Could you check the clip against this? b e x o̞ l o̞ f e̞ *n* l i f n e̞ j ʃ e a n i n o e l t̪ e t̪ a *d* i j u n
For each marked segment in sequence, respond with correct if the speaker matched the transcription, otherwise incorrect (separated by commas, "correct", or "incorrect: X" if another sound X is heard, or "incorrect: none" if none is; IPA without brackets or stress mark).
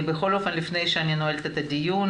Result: correct, correct